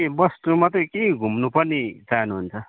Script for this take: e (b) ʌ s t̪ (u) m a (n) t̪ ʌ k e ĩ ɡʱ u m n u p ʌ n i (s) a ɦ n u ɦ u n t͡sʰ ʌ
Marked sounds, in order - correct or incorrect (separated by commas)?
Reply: correct, correct, incorrect, incorrect